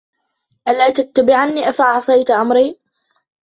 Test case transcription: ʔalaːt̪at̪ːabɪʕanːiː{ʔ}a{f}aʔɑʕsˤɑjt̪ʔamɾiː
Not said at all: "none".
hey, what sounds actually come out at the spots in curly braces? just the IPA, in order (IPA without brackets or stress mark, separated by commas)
ʔ, f